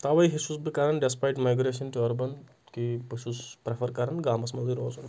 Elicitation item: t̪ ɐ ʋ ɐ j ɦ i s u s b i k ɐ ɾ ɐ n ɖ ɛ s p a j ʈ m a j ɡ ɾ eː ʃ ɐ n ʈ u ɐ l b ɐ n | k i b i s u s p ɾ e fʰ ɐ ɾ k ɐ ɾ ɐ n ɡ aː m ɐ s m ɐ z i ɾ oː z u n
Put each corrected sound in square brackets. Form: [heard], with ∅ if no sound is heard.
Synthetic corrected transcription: t̪ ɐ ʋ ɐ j ɦ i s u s b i k ɐ ɾ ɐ n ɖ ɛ s p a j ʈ m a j ɡ ɾ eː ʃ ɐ n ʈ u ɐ [ɾ] b ɐ n | k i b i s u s p ɾ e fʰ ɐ ɾ k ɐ ɾ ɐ n ɡ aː m ɐ s m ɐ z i ɾ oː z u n